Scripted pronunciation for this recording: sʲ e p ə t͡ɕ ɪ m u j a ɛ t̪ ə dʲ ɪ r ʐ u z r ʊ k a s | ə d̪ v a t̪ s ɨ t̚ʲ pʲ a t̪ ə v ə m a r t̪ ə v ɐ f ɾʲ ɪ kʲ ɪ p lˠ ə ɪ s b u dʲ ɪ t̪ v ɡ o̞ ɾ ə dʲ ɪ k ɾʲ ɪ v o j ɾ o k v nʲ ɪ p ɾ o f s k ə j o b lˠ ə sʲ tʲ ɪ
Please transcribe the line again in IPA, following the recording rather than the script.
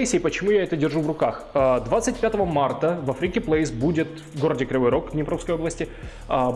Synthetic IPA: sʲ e p ə t͡ɕ ɪ m u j a ɛ t̪ ə dʲ ɪ r ʐ u v r ʊ k a x | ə d̪ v a t̪ s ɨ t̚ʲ pʲ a t̪ ə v ə m a r t̪ ə v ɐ f ɾʲ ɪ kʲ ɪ p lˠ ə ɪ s b u dʲ ɪ t̪ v ɡ o̞ ɾ ə dʲ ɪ k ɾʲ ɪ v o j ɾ o k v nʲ ɪ p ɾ o f s k ə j o b lˠ ə sʲ tʲ ɪ